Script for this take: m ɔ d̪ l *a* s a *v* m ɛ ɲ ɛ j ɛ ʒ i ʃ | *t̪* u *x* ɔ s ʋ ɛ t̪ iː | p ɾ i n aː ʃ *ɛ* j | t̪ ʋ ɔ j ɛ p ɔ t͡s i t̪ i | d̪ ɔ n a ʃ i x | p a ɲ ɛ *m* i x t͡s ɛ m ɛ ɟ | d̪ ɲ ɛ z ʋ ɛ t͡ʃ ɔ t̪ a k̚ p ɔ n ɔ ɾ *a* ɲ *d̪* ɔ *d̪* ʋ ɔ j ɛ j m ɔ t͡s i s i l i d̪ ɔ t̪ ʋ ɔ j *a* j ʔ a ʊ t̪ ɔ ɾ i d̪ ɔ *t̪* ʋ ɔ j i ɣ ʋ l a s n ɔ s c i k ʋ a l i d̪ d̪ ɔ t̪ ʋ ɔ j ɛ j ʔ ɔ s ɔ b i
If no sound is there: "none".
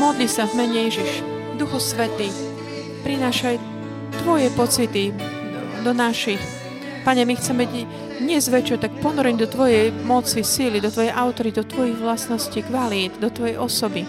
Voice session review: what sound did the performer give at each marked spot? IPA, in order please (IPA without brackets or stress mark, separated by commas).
i, v, d̪, x, a, m, ɛ, d̪, t̪, ɛ, t̪